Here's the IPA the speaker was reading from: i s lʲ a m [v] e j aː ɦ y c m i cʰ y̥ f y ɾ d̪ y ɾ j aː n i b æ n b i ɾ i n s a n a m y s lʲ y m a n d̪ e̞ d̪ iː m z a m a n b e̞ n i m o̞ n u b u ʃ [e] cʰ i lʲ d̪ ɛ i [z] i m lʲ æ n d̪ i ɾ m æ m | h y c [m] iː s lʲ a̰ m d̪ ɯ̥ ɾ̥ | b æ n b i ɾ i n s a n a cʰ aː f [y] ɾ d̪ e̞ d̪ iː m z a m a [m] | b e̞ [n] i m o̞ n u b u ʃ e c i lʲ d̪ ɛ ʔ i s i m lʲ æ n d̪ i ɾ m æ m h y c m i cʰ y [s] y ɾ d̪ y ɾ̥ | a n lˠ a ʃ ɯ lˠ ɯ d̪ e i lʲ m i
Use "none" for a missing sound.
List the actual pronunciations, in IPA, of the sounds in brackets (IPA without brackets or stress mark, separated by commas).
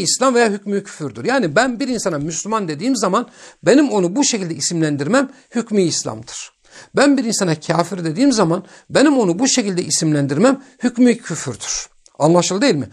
v, e, s, m, i, n, n, f